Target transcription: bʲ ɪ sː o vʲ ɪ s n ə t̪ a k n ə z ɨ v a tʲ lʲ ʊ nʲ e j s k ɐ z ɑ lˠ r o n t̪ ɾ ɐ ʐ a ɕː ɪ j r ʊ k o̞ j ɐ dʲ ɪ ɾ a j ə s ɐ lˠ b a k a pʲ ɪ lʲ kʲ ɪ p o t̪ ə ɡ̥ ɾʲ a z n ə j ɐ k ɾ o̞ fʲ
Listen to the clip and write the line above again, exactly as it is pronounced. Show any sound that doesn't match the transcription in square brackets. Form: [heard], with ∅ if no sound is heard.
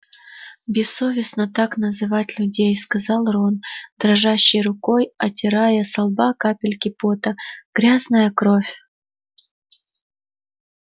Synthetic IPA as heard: bʲ ɪ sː o vʲ ɪ s n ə t̪ a k n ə z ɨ v a tʲ lʲ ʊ [dʲ] e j s k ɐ z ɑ lˠ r o n [d̪] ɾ ɐ ʐ a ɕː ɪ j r ʊ k o̞ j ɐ [tʲ] ɪ ɾ a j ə s ɐ lˠ b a k a pʲ ɪ lʲ kʲ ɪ p o t̪ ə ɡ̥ ɾʲ a z n ə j [ə] k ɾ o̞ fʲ